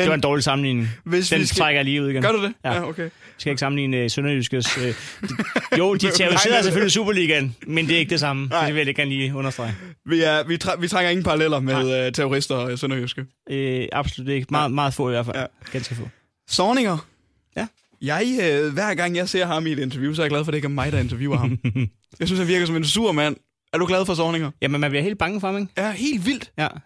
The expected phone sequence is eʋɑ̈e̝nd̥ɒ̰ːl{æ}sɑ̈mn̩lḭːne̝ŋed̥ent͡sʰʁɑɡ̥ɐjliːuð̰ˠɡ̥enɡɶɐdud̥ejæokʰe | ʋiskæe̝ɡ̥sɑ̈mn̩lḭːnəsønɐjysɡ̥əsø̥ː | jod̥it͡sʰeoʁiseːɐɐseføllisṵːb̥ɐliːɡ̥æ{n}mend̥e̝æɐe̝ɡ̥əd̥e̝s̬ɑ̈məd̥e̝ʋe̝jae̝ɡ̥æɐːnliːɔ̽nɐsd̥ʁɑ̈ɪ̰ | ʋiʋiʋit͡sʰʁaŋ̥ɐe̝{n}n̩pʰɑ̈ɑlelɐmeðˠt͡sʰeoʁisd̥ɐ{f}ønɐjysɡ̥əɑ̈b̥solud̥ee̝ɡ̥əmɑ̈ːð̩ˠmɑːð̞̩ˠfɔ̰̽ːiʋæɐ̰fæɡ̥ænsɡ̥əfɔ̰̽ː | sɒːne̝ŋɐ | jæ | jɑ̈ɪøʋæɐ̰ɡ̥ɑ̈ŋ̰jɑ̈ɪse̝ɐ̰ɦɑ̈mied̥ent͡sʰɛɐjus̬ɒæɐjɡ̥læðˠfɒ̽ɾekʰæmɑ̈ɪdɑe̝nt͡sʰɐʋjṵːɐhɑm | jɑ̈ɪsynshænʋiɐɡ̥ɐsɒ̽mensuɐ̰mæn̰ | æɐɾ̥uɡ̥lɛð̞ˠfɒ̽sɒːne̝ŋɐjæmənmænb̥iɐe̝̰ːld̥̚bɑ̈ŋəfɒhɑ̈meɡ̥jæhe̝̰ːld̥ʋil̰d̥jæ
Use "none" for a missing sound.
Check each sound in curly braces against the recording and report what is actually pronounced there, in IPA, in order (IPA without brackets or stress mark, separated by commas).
i, n, ŋ, s